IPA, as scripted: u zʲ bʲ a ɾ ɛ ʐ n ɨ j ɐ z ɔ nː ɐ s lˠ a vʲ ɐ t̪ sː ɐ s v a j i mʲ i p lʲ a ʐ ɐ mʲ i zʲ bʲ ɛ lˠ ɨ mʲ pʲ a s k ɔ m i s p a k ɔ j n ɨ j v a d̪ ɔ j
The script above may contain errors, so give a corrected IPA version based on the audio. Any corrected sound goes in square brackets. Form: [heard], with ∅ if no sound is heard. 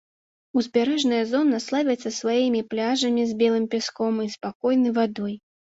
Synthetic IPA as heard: u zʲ bʲ a ɾ ɛ ʐ n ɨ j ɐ z ɔ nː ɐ s lˠ a vʲ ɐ t̪ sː ɐ s v a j i mʲ i p lʲ a ʐ ɐ mʲ i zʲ bʲ ɛ lˠ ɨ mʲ pʲ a s k ɔ m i s p a k ɔ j n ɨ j v a d̪ ɔ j